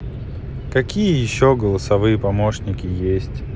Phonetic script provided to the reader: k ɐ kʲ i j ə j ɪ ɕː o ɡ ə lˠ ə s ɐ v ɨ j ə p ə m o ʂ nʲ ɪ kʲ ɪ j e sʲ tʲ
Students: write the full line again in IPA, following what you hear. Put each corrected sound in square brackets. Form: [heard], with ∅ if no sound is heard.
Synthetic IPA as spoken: k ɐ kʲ i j ə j ɪ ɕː o ɡ ə lˠ ə s ɐ v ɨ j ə p [ɐ] m o ʂ nʲ ɪ kʲ ɪ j e sʲ tʲ